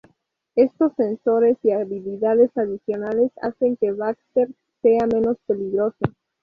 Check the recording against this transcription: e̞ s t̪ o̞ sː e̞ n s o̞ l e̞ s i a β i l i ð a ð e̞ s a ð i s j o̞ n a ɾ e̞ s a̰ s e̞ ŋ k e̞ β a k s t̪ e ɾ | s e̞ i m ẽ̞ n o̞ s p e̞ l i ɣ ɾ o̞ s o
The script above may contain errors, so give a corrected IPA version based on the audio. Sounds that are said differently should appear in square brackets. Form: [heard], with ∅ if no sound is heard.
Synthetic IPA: e̞ s t̪ o̞ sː e̞ n s o̞ [ɾ] e̞ s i a β i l i ð a ð e̞ s a ð i s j o̞ n a [l] e̞ s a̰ s e̞ ŋ k e̞ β a k s t̪ e ɾ | s e̞ [a] m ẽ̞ n o̞ s p e̞ l i ɣ ɾ o̞ s o